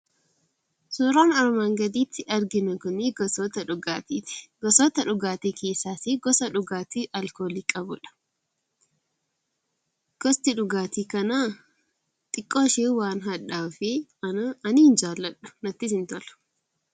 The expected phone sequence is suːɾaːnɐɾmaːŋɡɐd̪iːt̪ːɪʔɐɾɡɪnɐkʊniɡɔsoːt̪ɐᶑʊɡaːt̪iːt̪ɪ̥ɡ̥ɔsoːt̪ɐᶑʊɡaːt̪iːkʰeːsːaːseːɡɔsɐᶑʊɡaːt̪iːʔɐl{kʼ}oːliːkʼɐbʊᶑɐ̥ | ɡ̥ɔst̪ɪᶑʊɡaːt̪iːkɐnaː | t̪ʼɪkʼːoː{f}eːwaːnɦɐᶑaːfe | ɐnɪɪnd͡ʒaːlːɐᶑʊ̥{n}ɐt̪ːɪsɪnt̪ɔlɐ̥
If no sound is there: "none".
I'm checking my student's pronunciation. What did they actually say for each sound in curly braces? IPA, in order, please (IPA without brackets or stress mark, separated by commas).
k, ʃ, n